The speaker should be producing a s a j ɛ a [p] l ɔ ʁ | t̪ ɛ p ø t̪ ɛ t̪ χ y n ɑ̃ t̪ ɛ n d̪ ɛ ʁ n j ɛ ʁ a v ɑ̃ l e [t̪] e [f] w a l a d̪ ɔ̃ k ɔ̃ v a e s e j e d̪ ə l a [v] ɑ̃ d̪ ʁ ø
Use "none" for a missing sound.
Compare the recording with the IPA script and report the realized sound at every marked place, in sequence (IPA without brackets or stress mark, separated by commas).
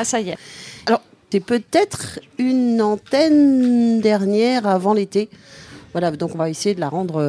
none, t̪, v, ʁ